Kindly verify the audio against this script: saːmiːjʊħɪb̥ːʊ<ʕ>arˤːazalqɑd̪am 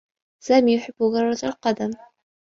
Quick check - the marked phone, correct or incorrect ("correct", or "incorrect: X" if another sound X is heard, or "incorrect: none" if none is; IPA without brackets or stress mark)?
incorrect: ɣ